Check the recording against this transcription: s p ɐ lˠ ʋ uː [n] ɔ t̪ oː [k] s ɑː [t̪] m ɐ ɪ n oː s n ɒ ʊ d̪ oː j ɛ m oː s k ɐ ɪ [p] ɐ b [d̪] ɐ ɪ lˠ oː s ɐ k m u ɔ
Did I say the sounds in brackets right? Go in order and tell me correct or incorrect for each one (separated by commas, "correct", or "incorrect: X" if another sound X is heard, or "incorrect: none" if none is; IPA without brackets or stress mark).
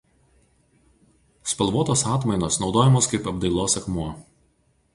incorrect: none, incorrect: none, correct, correct, correct